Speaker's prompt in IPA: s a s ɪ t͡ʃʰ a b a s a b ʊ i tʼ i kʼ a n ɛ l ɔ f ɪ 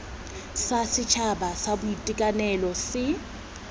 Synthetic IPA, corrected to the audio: s a s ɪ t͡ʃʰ a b a s a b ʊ i tʼ i kʼ a n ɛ l ɔ s ɪ

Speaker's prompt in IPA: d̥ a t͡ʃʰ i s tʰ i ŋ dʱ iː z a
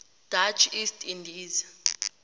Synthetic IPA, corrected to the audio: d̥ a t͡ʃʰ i s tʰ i n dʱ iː z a

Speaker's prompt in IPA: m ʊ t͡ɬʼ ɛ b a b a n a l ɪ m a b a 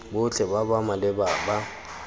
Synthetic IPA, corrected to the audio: b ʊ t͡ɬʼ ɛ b a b a m a l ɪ b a b a

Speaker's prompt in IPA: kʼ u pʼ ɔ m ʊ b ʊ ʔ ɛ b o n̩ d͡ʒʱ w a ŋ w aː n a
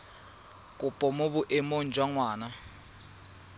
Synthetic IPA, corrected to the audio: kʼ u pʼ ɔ m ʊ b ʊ ʔ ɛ m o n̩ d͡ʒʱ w a ŋ w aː n a

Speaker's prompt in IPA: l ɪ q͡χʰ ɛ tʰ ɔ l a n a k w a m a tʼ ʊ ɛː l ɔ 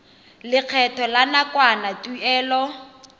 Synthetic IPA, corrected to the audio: l ɪ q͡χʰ ɛ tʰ ɔ l a n a k w a n a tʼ u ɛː l ɔ

